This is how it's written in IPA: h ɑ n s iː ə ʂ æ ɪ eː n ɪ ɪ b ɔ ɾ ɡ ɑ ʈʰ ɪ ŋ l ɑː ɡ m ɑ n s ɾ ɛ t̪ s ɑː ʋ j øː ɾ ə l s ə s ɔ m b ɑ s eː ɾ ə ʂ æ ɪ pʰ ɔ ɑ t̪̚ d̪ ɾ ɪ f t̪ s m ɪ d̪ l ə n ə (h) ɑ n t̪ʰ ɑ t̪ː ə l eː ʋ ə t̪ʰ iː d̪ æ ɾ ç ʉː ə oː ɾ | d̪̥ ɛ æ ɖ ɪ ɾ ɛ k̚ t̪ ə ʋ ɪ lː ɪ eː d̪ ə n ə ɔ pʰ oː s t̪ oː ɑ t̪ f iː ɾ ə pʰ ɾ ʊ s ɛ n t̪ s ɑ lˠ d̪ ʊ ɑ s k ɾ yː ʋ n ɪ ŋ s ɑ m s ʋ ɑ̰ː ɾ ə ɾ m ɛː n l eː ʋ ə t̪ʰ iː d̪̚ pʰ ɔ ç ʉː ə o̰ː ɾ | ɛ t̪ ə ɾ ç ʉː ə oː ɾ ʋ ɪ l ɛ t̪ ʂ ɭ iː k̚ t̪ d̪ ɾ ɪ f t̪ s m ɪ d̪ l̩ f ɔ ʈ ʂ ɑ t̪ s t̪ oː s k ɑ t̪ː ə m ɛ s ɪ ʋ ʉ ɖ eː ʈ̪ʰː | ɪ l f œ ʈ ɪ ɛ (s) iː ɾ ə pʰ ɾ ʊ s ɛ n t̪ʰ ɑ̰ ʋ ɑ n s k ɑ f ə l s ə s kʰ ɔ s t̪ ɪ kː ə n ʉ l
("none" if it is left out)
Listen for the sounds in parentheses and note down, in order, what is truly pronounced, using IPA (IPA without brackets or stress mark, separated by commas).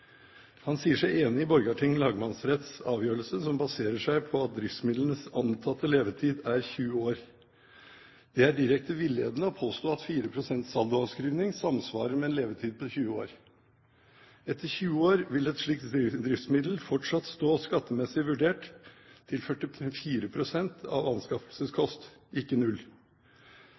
s, f